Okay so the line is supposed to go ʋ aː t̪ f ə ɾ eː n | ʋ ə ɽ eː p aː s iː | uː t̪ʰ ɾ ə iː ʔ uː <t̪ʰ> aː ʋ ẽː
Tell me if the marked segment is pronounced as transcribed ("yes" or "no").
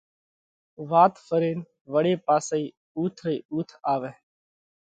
yes